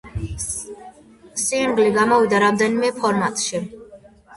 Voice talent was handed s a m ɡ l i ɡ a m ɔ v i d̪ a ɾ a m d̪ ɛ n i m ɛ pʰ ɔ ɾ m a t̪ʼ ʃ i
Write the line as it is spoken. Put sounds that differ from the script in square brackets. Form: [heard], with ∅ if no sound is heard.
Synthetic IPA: s [i] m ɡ l i ɡ a m ɔ v i d̪ a ɾ a m d̪ ɛ n i m ɛ pʰ ɔ ɾ m a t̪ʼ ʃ i